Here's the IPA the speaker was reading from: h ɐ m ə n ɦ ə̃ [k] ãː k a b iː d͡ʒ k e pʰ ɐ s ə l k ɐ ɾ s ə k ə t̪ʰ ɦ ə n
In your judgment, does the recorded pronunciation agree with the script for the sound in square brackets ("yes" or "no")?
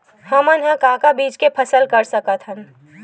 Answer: yes